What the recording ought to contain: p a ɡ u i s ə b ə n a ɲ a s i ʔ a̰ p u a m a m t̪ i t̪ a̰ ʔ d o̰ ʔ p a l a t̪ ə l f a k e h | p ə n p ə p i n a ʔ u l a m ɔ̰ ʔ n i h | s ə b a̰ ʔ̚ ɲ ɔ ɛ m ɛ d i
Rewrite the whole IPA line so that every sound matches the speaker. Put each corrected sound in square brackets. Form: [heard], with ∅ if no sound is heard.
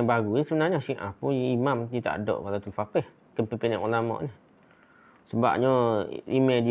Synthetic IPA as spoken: [b] a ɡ u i s ə b ə n a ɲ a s i ʔ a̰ p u [i] m a m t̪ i t̪ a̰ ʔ d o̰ ʔ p a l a t̪ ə l f a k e h | [k] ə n p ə p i n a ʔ u l a m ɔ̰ ʔ n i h | s ə b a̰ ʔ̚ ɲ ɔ [i] m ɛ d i